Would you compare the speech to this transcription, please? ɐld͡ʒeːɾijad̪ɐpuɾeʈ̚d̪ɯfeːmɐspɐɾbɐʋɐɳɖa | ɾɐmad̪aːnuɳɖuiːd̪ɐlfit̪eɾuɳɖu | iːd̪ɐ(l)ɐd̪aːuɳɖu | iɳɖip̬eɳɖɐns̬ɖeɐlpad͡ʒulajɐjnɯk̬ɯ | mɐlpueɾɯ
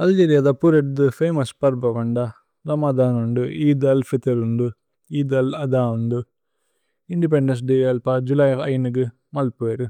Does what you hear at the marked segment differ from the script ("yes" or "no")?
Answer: no